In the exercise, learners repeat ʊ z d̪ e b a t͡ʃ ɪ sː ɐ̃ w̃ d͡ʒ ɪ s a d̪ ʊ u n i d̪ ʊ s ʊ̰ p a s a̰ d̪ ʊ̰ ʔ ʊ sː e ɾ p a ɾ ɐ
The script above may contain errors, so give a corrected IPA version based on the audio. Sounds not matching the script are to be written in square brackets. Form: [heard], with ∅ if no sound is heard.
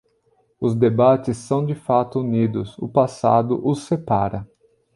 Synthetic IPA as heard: ʊ z d̪ e b a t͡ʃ ɪ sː ɐ̃ w̃ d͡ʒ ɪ [f] a [t̪] ʊ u n i d̪ ʊ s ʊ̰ p a s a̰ d̪ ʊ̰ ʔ ʊ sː e [∅] p a ɾ ɐ